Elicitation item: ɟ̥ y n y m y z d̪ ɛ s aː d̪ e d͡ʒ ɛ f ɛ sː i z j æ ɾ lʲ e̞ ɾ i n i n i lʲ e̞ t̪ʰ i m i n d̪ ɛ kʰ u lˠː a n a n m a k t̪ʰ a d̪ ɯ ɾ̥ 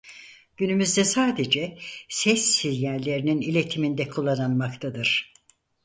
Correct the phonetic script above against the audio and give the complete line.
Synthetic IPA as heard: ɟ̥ y n y m y z d̪ ɛ s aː d̪ e d͡ʒ ɛ s ɛ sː i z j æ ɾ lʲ e̞ ɾ i n i n i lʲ e̞ t̪ʰ i m i n d̪ ɛ kʰ u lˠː a n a n m a k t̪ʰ a d̪ ɯ ɾ̥